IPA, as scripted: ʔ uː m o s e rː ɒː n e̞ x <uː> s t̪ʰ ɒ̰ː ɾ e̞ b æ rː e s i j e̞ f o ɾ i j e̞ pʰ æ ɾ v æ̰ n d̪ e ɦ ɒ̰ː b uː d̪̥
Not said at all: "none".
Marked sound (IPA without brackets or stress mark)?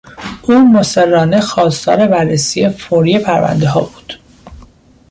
ɒː